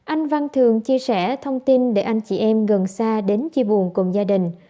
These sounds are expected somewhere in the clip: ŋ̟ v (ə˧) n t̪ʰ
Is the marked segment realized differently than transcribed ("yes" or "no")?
yes